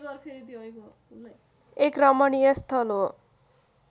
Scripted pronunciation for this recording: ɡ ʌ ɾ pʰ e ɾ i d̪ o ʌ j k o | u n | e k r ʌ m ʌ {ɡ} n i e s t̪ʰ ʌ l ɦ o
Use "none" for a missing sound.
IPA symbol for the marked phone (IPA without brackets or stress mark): none